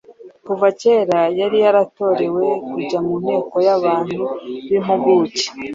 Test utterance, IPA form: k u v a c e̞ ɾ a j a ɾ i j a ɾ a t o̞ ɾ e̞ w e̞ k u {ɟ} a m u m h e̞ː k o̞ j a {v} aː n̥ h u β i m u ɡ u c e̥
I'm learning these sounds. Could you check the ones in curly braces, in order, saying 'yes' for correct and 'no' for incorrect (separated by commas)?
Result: yes, no